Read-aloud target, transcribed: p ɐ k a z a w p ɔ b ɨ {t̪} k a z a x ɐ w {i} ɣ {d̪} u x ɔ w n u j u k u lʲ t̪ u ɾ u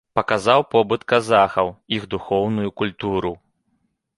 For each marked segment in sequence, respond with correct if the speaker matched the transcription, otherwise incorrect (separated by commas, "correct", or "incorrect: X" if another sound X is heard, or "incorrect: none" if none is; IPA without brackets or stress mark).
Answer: correct, correct, correct